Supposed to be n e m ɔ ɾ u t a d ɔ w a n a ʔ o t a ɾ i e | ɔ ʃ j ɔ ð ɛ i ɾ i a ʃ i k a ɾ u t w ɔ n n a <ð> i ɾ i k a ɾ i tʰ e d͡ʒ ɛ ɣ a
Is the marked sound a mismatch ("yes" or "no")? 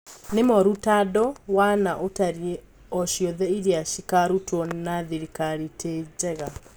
no